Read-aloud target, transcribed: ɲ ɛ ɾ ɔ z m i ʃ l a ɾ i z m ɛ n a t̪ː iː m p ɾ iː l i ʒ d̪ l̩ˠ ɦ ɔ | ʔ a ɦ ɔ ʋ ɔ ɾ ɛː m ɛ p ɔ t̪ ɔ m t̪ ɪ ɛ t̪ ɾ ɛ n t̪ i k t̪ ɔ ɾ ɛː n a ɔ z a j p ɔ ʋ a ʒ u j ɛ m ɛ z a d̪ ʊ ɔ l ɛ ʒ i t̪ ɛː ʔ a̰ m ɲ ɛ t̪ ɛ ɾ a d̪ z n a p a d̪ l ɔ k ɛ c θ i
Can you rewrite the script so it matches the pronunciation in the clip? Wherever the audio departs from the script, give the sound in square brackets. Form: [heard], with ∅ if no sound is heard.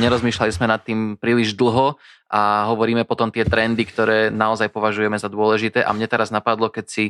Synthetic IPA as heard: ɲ ɛ ɾ ɔ z m [iː] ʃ l a [l] i z m ɛ n a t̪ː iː m p ɾ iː l i ʒ d̪ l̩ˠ ɦ ɔ | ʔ a ɦ ɔ ʋ ɔ ɾ [iː] m ɛ p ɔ t̪ ɔ m t̪ ɪ ɛ t̪ ɾ ɛ n [d̪] i k t̪ ɔ ɾ ɛː n a ɔ z a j p ɔ ʋ a ʒ u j ɛ m ɛ z a d̪ ʊ ɔ l ɛ ʒ i t̪ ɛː ʔ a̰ m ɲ ɛ t̪ ɛ ɾ a [∅] z n a p a d̪ l ɔ k ɛ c [s] i